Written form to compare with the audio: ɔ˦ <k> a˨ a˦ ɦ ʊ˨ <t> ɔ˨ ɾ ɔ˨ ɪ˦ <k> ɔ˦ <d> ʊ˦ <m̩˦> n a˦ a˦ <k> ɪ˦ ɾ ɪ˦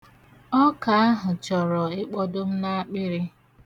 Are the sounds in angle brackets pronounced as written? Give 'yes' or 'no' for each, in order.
yes, no, no, yes, yes, no

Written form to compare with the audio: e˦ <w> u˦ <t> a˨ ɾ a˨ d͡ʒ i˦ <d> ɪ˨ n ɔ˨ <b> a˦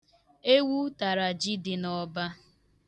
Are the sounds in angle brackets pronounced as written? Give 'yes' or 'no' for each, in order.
yes, yes, yes, yes

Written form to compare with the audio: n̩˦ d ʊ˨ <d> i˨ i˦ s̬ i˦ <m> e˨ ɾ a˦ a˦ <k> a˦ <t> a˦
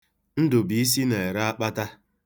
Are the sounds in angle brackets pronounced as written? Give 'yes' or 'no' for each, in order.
no, no, no, yes

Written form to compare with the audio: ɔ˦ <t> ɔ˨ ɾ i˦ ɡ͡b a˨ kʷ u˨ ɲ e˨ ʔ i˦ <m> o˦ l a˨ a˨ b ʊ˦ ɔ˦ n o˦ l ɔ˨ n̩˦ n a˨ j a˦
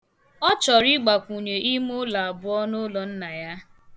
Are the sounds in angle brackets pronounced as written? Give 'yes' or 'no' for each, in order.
no, yes

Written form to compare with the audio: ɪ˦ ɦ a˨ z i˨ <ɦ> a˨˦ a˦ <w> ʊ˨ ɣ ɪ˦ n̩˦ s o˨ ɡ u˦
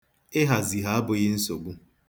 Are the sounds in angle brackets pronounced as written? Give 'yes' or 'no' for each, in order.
yes, no

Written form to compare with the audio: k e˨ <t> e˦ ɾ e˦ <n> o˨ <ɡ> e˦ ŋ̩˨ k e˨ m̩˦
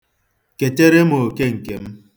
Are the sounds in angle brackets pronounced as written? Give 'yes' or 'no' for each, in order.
yes, no, no

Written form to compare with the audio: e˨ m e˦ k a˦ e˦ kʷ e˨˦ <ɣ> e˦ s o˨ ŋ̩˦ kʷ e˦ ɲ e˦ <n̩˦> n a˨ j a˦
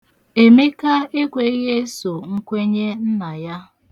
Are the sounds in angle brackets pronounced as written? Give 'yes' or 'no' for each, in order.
yes, yes

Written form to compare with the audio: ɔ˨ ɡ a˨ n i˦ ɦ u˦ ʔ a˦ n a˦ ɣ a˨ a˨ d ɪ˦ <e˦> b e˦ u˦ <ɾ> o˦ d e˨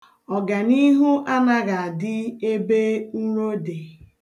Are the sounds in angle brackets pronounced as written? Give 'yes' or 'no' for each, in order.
yes, yes

